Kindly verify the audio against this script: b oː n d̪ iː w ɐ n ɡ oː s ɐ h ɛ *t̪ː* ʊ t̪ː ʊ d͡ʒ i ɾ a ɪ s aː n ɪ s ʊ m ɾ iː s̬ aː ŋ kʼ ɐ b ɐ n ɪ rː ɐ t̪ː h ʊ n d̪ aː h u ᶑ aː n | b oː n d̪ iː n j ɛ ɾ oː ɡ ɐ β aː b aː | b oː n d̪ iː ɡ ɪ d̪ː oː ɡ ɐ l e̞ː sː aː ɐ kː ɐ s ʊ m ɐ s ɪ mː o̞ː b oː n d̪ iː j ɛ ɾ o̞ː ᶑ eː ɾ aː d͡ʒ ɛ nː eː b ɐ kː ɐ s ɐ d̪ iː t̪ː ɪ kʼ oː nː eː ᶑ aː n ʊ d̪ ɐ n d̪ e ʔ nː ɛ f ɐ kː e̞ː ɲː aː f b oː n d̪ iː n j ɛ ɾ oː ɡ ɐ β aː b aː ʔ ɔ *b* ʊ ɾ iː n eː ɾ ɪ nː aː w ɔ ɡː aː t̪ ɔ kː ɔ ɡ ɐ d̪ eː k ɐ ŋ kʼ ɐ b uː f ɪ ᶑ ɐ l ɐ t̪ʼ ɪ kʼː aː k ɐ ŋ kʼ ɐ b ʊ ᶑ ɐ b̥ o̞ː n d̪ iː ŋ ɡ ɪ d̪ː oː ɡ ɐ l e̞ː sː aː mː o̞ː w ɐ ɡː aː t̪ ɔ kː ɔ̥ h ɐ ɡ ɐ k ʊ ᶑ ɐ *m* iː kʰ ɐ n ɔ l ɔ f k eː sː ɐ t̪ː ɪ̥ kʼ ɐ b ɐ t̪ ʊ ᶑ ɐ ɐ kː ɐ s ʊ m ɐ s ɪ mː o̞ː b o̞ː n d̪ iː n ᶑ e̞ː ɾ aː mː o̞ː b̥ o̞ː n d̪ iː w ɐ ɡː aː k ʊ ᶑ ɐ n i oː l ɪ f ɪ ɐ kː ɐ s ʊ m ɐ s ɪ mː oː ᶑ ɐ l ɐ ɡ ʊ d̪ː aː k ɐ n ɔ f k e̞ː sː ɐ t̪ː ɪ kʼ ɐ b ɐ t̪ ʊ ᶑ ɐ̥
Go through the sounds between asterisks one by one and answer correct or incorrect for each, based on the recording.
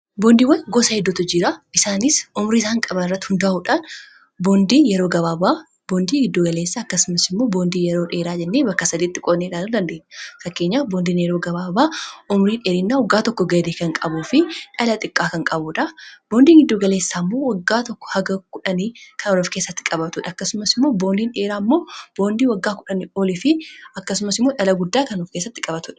incorrect, incorrect, incorrect

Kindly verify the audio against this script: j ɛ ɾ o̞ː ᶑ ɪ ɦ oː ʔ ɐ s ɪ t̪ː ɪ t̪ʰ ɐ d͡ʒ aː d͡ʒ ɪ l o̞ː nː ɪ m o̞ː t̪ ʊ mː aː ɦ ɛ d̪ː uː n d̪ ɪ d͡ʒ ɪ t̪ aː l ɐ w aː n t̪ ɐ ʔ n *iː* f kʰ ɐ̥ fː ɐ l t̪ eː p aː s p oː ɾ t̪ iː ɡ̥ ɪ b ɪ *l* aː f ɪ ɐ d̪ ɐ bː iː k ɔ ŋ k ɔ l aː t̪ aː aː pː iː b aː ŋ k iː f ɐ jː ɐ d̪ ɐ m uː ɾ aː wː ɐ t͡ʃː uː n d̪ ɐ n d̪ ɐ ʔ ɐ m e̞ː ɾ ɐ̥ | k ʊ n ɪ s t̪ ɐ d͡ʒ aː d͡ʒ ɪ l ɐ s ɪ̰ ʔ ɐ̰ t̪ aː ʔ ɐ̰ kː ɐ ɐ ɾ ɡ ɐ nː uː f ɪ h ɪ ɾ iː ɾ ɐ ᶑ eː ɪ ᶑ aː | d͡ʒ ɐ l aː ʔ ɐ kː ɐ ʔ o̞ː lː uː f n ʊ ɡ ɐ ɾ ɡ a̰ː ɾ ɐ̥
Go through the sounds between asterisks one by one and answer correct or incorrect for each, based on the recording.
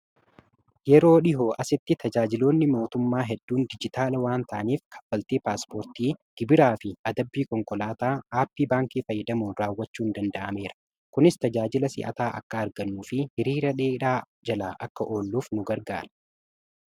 correct, incorrect

